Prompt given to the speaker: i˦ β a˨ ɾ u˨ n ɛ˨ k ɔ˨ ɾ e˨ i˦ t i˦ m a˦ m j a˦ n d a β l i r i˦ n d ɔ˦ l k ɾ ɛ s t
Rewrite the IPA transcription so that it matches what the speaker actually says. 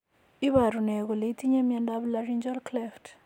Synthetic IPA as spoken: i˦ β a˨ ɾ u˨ n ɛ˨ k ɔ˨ l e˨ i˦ t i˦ ɲ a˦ m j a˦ n d a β l a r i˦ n d͡ʒ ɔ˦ l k l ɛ f t

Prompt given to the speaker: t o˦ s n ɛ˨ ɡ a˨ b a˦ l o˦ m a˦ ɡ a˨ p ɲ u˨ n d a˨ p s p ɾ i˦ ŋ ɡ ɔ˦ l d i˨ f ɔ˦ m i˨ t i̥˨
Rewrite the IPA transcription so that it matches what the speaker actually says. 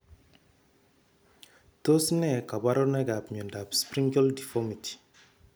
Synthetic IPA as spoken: t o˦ s n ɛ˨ k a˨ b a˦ ɾ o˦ n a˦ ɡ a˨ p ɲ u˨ n d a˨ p s p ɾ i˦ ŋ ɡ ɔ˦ l d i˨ f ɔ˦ m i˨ t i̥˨

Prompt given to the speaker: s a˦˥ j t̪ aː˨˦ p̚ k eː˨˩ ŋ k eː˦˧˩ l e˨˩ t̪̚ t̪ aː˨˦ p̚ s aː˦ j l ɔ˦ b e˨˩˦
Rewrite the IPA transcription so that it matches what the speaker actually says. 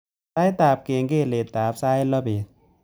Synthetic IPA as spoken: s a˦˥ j t̪ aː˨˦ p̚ k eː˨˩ ŋ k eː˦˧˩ l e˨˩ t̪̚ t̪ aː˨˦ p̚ s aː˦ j l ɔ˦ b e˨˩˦

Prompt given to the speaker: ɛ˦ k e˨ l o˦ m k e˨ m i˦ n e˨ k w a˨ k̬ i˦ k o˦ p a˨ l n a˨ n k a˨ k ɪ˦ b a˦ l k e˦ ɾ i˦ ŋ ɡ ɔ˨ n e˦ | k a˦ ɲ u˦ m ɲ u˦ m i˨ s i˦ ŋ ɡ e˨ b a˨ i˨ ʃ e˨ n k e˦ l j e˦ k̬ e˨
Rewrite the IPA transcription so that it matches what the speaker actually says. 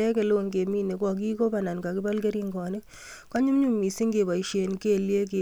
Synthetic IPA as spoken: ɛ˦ k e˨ l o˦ ŋ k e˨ m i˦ n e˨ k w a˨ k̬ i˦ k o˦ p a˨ n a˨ n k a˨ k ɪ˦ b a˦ l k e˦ ɾ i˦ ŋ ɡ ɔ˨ n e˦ | k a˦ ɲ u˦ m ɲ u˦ m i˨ s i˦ ŋ ɡ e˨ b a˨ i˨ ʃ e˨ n k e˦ l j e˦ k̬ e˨

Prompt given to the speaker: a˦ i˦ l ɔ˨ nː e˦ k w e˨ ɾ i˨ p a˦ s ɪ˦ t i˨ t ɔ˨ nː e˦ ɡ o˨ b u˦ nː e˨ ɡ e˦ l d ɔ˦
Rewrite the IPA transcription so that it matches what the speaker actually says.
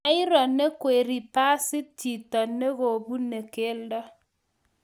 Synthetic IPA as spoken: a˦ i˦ ɾ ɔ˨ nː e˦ k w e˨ ɾ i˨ p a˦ s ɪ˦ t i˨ t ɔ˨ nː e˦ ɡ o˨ b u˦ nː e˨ k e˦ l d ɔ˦

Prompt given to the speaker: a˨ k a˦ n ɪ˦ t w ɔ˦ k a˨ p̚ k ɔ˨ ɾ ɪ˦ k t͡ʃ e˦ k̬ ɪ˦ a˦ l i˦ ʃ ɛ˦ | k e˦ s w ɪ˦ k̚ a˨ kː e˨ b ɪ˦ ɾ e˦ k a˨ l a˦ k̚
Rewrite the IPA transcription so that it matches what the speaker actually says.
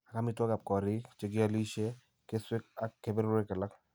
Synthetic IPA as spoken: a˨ k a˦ m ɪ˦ t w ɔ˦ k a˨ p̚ k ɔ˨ ɾ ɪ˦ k t͡ʃ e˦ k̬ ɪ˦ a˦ l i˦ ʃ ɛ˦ | k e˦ s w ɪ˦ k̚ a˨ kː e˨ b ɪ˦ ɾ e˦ k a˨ l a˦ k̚

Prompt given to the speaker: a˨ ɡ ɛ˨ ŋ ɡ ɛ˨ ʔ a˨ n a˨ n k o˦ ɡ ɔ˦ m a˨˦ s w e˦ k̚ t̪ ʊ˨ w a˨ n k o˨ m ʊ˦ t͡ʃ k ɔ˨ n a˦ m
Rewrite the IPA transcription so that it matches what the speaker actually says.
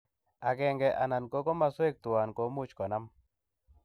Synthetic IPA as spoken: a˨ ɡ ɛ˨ ŋ ɡ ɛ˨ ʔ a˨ n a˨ n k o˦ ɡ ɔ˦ m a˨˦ s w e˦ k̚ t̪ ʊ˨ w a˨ n k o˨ m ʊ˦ t͡ʃ k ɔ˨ n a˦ m

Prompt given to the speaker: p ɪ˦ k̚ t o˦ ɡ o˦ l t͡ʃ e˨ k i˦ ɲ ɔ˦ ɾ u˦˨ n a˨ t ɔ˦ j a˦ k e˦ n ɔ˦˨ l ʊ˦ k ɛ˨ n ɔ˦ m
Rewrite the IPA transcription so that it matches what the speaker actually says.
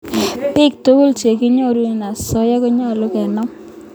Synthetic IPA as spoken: p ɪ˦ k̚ t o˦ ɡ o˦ l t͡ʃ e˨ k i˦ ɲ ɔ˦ ɾ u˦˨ n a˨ s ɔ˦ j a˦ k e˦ ɲ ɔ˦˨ l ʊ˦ k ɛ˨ n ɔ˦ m

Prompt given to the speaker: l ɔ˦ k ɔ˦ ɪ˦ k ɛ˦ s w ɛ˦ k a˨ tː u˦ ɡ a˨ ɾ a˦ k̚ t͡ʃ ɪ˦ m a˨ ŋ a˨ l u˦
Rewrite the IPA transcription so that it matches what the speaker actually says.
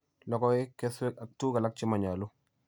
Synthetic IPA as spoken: l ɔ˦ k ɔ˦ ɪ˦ k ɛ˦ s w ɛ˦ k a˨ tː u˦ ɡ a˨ l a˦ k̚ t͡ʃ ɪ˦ m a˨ ɲ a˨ l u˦

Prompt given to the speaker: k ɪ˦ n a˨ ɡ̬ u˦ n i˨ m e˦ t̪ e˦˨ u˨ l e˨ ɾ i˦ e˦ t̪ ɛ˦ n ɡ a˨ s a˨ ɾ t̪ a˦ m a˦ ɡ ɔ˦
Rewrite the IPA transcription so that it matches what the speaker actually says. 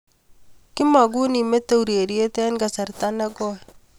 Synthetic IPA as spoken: k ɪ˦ m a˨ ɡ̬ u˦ n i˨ m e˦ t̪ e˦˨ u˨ ɾ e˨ ɾ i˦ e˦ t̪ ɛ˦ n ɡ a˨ s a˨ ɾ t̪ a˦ n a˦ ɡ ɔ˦

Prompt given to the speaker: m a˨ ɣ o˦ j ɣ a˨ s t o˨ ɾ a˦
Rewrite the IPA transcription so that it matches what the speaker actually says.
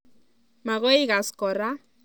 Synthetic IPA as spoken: m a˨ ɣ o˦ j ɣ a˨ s k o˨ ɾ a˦

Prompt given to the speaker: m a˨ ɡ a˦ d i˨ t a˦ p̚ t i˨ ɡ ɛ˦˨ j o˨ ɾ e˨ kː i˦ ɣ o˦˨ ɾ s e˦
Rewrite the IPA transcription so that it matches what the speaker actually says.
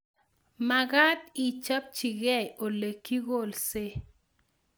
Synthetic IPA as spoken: m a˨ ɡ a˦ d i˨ t͡ʃ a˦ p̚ t͡ʃ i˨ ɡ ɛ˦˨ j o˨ l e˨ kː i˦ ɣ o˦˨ l s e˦

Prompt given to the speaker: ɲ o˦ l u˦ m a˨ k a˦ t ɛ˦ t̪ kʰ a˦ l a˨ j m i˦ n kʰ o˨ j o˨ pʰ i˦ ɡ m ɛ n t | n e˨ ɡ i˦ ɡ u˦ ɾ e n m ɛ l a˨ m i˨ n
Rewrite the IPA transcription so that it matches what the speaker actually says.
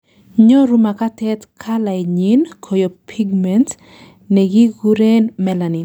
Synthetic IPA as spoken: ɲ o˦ ɾ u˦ m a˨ k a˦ t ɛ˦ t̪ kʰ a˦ l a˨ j ɲ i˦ n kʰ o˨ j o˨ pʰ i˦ ɡ m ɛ n t | n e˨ ɡ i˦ ɡ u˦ ɾ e n m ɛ l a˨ n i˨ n

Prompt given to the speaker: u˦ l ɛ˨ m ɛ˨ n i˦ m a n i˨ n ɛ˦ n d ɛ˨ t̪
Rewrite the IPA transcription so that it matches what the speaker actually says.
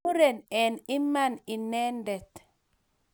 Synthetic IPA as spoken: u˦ ɾ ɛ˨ n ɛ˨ n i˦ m a n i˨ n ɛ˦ n d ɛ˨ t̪

